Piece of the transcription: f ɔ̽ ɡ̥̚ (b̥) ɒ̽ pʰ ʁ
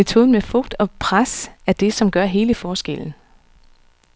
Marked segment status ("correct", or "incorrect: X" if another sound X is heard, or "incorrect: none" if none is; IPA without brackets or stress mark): incorrect: d̥